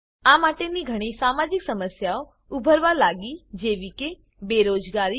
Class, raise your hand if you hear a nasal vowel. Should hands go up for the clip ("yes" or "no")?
no